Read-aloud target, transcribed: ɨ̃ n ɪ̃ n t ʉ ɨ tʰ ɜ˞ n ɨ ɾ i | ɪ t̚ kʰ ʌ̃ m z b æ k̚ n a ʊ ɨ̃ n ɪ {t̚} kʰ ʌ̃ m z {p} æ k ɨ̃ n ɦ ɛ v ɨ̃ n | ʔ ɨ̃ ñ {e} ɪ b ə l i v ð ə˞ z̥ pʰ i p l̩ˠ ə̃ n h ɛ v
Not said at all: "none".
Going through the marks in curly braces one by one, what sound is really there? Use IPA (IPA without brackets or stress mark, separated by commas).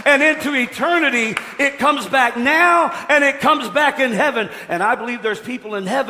t̚, b, a